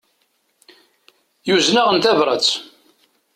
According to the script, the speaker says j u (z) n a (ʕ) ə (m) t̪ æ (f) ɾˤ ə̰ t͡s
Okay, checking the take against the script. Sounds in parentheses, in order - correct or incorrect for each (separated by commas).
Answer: correct, incorrect, incorrect, incorrect